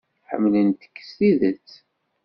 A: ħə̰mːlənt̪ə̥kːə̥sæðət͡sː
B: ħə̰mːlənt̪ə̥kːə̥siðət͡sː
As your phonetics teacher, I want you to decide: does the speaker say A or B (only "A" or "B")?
B